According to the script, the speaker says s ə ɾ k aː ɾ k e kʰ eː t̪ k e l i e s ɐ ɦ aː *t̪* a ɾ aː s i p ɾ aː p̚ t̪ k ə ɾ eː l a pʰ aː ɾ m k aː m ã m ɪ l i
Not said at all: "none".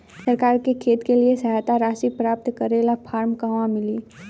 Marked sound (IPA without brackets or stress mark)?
t̪